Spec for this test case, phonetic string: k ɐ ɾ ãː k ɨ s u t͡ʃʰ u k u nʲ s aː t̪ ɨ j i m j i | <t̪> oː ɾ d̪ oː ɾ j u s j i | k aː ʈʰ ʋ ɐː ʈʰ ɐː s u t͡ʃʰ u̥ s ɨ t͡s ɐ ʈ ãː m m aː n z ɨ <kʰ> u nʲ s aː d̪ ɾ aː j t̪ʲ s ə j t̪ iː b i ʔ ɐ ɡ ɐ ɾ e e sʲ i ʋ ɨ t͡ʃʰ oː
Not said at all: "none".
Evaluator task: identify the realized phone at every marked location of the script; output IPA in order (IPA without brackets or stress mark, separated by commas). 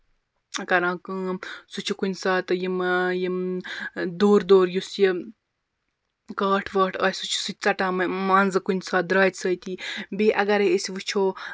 d̪, k